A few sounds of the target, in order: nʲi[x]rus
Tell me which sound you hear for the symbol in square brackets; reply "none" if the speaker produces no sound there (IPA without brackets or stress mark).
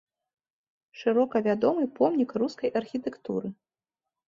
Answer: k